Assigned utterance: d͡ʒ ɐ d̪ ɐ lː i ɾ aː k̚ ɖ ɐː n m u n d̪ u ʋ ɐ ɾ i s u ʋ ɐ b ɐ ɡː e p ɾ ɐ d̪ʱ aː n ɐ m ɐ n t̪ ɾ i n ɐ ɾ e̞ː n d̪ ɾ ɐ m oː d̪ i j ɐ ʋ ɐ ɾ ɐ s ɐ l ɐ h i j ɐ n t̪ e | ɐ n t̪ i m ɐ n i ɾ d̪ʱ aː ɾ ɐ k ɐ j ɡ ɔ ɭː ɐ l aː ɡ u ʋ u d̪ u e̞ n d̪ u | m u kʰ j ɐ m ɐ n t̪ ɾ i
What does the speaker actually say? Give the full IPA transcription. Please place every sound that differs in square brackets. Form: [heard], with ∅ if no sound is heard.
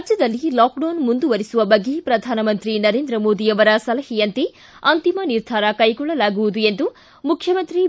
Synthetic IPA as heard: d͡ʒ ɐ d̪ ɐ lː i [l] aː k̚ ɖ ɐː n m u n d̪ u ʋ ɐ ɾ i s u ʋ ɐ b ɐ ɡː e p ɾ ɐ d̪ʱ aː n ɐ m ɐ n t̪ ɾ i n ɐ ɾ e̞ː n d̪ ɾ ɐ m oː d̪ i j ɐ ʋ ɐ ɾ ɐ s ɐ l ɐ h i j ɐ n t̪ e | ɐ n t̪ i m ɐ n i ɾ d̪ʱ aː ɾ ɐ k ɐ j ɡ ɔ ɭː ɐ l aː ɡ u ʋ u d̪ u e̞ n d̪ u | m u kʰ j ɐ m ɐ n t̪ ɾ i